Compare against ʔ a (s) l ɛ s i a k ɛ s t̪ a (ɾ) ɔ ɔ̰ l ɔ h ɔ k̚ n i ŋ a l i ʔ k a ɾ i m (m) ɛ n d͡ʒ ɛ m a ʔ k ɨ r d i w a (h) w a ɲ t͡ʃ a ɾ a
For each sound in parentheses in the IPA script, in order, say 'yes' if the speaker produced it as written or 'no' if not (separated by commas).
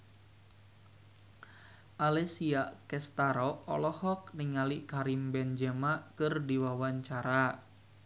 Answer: no, yes, no, no